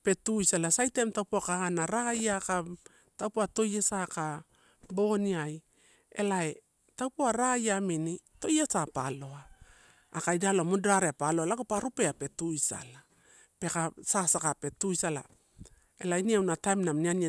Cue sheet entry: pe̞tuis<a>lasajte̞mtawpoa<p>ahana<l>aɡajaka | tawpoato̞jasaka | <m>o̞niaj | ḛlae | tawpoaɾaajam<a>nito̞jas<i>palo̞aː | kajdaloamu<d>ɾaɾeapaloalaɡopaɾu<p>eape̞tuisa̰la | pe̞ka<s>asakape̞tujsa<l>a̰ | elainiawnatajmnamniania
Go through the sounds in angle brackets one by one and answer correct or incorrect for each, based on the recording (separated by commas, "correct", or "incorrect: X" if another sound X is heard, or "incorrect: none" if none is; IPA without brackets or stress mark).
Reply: correct, incorrect: k, incorrect: ɾ, incorrect: b, incorrect: i, incorrect: a, correct, correct, correct, correct